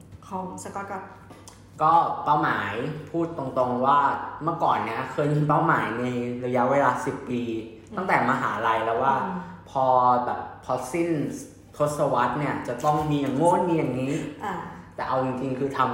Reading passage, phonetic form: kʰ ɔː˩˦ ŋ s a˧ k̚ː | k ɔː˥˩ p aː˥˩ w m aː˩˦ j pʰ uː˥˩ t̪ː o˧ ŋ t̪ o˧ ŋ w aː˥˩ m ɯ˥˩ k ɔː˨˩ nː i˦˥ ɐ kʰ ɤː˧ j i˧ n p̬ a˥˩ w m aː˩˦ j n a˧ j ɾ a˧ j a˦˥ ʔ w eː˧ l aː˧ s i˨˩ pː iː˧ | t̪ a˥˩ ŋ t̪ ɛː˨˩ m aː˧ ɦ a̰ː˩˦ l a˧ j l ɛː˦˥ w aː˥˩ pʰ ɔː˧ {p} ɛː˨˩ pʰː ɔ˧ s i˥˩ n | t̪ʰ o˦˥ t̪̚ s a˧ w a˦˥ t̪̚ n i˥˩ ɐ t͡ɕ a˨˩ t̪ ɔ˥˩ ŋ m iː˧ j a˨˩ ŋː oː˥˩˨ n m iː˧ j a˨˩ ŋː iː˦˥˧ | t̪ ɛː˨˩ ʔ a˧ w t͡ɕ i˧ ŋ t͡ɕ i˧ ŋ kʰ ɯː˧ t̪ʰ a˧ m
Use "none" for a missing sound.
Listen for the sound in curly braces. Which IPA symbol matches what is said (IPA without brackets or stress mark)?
b